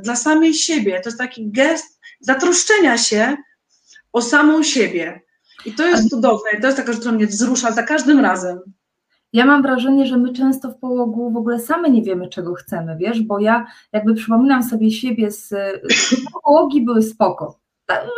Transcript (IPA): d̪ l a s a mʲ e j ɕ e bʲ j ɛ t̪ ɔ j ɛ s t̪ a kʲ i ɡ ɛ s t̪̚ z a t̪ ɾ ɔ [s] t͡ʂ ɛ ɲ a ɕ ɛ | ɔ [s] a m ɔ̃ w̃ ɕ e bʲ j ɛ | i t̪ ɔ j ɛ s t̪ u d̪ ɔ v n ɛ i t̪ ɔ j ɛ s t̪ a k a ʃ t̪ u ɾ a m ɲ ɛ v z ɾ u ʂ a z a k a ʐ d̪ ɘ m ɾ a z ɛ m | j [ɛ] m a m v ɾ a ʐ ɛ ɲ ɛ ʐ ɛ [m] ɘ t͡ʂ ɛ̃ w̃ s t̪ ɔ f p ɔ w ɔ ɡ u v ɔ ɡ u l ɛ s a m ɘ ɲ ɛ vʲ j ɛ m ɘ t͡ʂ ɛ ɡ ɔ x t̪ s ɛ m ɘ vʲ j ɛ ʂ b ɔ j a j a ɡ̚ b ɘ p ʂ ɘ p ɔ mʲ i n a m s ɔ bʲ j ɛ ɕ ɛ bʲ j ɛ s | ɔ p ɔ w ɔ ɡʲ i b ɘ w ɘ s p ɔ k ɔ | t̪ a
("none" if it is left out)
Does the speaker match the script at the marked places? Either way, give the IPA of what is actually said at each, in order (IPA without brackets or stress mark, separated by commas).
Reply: ʂ, s, a, m